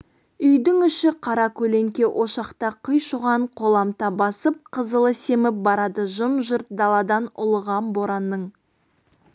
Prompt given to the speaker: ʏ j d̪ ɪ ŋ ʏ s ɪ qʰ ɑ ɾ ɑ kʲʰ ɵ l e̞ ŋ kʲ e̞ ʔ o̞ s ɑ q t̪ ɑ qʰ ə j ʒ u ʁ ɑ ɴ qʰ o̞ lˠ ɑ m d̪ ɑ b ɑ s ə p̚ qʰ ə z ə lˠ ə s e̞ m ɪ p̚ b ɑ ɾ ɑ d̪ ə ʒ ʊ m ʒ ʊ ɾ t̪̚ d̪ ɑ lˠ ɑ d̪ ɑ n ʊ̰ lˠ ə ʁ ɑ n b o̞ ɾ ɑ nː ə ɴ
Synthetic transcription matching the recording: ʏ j d̪ ɪ ŋ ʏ ʃ ɪ qʰ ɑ ɾ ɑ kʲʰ ɵ l e̞ ŋ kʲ e̞ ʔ o̞ ʃ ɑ q t̪ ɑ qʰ ə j ʃ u ʁ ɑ ɴ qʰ o̞ lˠ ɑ m t̪ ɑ b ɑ s ə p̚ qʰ ə z ə lˠ ə s e̞ m ɪ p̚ b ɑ ɾ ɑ d̪ ə ʒ ʊ m ʒ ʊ ɾ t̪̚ d̪ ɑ lˠ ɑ d̪ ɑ n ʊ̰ lˠ ə ʁ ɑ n b o̞ ɾ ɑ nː ə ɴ